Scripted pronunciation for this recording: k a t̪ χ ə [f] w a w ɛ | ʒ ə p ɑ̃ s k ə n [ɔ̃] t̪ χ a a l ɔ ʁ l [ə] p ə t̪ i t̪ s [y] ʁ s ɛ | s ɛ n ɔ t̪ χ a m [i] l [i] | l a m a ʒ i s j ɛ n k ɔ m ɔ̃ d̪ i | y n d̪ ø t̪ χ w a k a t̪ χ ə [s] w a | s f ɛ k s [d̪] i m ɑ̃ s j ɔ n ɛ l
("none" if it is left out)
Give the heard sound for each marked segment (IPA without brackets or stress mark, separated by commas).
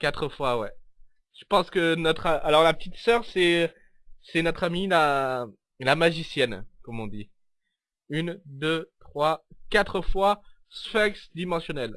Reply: f, ɔ, a, œ, i, a, f, d̪